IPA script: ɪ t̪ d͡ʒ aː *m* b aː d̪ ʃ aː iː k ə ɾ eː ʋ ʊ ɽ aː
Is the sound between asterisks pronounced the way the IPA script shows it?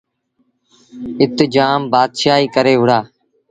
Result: yes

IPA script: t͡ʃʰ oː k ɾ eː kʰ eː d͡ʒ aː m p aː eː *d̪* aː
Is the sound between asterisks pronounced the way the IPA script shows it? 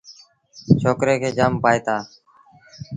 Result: no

